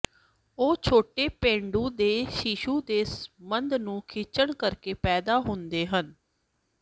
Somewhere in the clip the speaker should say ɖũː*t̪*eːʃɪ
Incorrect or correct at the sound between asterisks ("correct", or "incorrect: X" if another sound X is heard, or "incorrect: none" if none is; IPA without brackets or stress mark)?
incorrect: d̪